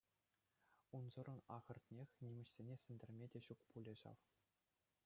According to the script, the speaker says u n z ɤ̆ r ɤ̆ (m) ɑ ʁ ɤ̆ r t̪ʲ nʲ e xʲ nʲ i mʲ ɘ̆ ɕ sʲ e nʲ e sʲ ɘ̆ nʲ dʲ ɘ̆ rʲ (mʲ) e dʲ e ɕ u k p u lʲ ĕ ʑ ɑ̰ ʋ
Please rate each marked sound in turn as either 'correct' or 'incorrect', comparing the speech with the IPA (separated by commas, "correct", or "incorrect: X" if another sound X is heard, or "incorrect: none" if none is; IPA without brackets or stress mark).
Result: incorrect: n, correct